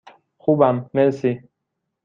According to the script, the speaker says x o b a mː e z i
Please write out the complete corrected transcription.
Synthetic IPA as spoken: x u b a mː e s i